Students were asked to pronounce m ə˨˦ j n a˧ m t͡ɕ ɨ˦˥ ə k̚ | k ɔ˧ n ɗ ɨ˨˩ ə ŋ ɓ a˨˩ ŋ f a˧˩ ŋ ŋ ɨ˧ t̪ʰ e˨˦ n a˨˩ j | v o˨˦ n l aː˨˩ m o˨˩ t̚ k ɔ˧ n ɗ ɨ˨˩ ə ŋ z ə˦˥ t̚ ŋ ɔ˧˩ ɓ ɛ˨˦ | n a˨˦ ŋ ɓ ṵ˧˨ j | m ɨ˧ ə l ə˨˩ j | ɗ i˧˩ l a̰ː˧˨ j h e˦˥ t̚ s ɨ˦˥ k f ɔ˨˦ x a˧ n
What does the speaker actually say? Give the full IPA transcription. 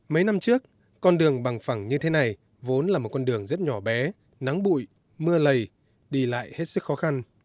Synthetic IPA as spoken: m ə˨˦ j n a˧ m t͡ɕ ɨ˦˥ ə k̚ | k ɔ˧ n ɗ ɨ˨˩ ə ŋ ɓ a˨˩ ŋ f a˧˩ ŋ ɲ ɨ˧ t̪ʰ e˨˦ n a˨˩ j | v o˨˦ n l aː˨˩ m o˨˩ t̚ k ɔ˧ n ɗ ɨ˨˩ ə ŋ z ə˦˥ t̚ ɲ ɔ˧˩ ɓ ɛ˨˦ | n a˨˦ ŋ ɓ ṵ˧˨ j | m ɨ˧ ə l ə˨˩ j | ɗ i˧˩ l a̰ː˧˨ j h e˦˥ t̚ s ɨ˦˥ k x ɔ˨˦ x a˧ n